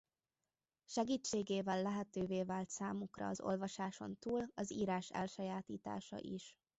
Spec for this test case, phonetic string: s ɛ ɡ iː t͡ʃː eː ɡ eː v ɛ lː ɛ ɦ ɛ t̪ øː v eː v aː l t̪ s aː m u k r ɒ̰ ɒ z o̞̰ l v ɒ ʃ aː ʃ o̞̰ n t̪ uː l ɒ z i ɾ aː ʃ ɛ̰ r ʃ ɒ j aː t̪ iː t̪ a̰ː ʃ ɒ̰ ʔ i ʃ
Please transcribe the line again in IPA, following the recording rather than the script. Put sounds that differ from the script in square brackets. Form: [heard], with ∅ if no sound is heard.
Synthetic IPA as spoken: [ʃ] ɛ ɡ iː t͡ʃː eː ɡ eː v ɛ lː ɛ ɦ ɛ t̪ øː v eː v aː l t̪ s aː m u k r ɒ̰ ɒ z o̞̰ l v ɒ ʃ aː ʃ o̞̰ n t̪ uː l ɒ z [iː] ɾ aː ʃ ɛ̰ [l] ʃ ɒ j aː t̪ iː t̪ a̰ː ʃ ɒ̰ ʔ i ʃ